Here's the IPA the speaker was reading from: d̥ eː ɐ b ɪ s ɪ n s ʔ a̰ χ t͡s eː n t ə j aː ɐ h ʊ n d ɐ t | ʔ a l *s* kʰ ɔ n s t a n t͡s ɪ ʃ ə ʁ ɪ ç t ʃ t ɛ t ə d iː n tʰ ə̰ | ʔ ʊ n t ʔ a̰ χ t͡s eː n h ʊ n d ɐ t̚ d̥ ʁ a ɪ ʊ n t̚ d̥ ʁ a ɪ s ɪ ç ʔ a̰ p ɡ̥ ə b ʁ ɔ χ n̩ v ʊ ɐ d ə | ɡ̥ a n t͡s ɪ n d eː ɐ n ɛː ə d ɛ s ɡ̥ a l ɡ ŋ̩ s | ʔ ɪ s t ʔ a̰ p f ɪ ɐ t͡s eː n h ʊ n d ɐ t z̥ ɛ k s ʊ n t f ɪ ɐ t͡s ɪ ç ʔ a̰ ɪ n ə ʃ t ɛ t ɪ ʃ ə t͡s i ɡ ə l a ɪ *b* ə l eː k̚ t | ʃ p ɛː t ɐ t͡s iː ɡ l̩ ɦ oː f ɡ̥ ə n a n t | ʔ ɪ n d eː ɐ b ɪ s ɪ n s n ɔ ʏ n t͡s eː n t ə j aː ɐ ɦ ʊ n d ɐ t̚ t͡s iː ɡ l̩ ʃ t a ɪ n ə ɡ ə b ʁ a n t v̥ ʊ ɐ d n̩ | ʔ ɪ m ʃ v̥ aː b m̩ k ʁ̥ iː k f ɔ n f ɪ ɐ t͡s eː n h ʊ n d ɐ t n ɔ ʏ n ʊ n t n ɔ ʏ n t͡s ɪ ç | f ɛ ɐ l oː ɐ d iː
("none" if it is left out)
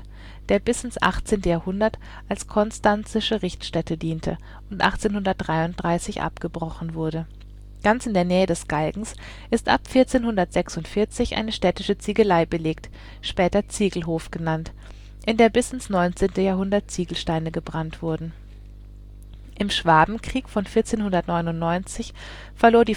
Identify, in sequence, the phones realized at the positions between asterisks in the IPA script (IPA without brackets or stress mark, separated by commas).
s, b